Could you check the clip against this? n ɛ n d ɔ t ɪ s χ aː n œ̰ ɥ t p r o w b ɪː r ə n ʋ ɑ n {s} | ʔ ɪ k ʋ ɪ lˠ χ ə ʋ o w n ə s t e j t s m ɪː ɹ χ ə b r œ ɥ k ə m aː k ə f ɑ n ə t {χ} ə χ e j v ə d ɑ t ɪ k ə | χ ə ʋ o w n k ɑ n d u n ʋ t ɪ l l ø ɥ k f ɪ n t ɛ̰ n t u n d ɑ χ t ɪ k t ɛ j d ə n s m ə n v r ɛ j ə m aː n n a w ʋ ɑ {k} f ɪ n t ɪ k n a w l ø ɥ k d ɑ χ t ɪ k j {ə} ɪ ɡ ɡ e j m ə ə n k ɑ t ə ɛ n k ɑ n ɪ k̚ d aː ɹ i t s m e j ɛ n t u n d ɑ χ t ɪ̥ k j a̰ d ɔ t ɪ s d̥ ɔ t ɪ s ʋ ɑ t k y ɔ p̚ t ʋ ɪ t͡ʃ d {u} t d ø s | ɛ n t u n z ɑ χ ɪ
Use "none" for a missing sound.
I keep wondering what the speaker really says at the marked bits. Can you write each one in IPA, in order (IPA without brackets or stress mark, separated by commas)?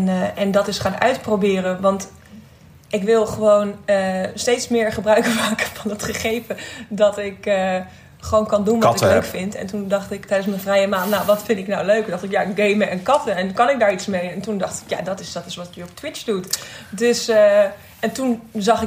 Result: t, χ, t, a, u